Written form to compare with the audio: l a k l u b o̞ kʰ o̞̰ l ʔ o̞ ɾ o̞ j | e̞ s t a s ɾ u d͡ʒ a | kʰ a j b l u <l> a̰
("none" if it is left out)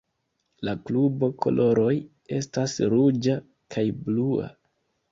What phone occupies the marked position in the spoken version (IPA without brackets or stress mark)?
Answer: none